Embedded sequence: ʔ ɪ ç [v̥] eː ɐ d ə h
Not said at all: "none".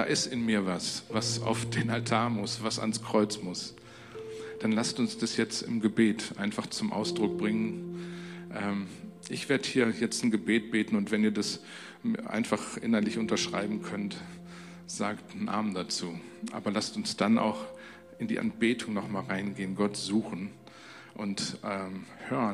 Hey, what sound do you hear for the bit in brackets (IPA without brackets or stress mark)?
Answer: v̥